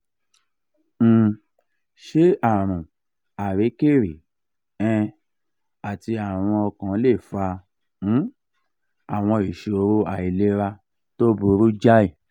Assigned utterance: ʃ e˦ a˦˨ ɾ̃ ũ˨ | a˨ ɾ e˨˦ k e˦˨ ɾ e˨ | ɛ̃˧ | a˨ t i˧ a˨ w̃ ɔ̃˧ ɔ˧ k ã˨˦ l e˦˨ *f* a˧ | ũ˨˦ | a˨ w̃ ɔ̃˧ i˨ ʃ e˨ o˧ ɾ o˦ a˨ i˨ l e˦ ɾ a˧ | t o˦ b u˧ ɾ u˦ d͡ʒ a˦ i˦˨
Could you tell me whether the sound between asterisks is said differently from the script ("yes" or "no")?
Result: no